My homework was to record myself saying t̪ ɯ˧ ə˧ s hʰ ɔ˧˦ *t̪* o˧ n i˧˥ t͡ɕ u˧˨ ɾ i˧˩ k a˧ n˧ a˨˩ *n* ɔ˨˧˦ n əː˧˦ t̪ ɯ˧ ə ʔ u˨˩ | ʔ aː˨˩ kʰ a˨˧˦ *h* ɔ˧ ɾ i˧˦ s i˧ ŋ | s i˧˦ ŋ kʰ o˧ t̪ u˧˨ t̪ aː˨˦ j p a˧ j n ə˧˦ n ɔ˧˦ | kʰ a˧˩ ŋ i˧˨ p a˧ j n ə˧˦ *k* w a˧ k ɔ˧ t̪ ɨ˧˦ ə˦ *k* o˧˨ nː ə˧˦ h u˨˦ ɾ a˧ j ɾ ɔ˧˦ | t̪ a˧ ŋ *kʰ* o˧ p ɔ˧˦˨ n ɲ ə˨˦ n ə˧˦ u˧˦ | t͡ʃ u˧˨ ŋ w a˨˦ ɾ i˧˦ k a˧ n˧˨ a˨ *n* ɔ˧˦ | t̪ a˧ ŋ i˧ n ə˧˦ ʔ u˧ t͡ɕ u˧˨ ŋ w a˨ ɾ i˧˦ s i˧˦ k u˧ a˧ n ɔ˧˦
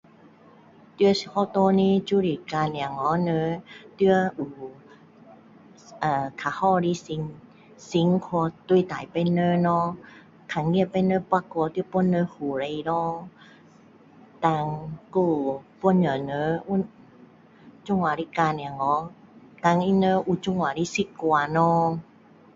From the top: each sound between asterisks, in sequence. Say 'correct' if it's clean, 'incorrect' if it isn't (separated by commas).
correct, incorrect, correct, incorrect, incorrect, incorrect, incorrect